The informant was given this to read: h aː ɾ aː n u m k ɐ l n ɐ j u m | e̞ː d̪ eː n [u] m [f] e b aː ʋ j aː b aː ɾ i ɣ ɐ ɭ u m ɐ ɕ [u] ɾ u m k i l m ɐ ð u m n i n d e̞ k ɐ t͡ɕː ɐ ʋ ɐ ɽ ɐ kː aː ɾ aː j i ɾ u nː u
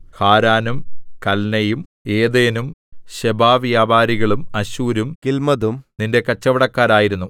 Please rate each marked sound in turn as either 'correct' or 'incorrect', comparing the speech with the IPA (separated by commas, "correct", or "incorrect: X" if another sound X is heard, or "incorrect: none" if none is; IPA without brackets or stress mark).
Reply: correct, incorrect: ɕ, incorrect: uː